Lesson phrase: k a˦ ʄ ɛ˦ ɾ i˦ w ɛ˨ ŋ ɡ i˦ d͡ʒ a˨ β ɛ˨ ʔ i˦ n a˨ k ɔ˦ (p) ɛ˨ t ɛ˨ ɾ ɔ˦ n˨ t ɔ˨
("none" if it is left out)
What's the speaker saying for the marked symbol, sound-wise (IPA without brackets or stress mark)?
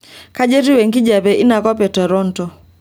p